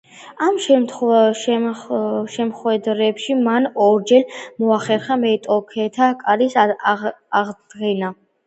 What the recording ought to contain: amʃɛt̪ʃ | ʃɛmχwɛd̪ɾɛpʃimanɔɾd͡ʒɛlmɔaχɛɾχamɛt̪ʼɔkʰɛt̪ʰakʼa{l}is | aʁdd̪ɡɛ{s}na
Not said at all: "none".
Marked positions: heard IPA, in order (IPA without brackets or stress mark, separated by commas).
ɾ, none